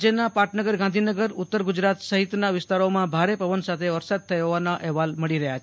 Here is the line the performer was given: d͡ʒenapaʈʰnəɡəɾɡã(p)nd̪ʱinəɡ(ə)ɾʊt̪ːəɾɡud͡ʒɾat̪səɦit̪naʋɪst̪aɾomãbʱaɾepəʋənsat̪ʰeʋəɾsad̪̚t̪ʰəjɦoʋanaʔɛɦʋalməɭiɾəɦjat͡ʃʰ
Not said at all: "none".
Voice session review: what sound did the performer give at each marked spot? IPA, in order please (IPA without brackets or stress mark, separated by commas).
none, ə